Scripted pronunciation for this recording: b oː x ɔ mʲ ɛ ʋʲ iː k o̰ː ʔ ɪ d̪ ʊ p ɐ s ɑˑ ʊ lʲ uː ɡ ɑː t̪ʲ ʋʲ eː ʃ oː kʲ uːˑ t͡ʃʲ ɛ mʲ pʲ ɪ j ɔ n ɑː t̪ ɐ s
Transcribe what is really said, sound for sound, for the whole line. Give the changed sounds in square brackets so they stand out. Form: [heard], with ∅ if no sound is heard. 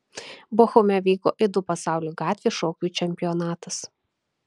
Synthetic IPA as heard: b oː x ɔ mʲ ɛ ʋʲ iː k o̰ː ʔ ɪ d̪ ʊ p ɐ s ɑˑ ʊ lʲ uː ɡ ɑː t̪ʲ ʋʲ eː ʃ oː kʲ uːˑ t͡ʃʲ ɛ mʲ pʲ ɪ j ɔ n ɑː t̪ ɐ s